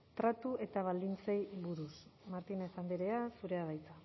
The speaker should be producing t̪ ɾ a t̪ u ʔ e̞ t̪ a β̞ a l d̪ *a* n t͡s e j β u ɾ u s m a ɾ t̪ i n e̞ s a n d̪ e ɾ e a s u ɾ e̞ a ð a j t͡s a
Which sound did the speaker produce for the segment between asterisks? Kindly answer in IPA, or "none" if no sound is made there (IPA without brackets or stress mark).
i